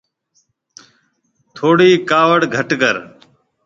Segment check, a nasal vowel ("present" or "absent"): absent